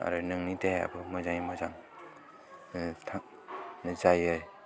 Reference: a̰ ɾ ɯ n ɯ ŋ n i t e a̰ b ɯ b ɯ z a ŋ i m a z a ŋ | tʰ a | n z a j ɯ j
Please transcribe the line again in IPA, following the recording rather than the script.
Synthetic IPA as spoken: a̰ ɾ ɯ n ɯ ŋ n i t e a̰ b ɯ m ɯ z a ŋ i m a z a ŋ | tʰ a | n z a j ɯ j